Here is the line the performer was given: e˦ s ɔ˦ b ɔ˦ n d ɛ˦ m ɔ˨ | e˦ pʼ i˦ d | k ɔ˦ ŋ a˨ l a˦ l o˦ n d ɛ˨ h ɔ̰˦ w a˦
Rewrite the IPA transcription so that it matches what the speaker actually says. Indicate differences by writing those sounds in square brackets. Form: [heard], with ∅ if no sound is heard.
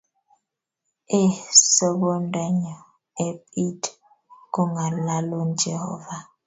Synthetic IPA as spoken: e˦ s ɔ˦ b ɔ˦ n d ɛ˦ [ɲ] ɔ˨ | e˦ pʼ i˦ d | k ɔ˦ ŋ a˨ l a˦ l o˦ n [d͡ʒ] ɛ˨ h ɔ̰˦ [v] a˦